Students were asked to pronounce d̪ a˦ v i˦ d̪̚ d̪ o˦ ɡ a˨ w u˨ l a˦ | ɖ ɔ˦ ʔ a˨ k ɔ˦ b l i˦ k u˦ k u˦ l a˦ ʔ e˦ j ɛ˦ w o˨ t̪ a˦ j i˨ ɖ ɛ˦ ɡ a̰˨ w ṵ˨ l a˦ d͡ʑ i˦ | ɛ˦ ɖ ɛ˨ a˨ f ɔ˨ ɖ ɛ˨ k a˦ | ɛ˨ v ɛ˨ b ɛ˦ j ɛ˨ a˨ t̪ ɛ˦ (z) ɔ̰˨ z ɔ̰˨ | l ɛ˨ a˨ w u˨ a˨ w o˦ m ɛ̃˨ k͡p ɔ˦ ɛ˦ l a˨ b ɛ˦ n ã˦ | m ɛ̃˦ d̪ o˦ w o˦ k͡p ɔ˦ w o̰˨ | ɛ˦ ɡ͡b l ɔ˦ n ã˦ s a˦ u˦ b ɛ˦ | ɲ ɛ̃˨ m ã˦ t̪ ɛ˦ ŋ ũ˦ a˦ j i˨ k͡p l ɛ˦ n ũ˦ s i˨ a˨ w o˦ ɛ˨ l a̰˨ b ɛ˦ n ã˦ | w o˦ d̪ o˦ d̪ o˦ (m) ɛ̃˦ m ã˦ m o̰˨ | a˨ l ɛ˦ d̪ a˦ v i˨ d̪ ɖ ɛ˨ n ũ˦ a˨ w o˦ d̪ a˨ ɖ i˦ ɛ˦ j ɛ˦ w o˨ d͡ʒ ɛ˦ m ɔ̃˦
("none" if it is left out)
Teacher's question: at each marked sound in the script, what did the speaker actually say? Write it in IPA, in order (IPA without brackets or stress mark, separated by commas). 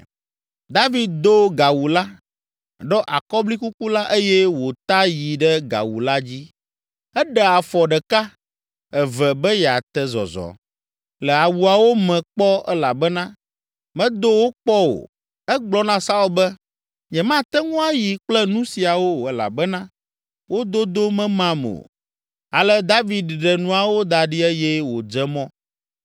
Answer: z, m